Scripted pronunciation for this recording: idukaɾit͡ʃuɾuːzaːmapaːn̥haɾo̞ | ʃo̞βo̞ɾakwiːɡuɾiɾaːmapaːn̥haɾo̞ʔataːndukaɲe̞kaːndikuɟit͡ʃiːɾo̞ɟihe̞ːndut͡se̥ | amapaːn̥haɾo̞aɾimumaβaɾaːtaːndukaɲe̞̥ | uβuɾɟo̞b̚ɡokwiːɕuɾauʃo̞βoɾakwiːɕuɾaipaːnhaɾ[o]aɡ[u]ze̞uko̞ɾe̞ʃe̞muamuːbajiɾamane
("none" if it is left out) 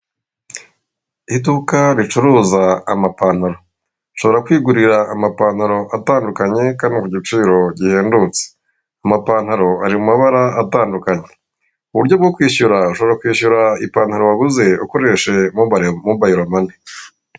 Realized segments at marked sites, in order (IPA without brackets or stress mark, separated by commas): o, u